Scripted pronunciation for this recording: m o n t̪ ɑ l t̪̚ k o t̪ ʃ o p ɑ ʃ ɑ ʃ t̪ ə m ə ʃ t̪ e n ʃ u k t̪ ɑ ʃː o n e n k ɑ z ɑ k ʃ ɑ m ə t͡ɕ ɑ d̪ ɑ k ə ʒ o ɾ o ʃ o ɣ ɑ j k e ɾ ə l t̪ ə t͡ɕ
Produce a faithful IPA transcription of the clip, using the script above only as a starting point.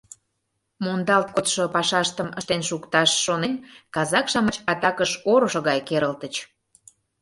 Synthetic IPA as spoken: m o n d̪ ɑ l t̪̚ k o t̪ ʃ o p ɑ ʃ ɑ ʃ t̪ ə m ə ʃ t̪ e n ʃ u k t̪ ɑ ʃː o n e n k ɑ z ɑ k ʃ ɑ m ə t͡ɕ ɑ t̪ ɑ k ə ʃ o ɾ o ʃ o ɣ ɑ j k e ɾ ə l t̪ ə t͡ɕ